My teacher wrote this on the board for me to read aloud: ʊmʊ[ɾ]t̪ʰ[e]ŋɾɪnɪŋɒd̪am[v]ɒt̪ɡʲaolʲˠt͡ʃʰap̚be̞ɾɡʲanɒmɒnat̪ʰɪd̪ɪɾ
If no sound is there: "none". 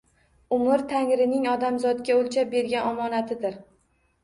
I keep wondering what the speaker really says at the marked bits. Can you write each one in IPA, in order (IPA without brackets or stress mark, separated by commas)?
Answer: ɾ, a, z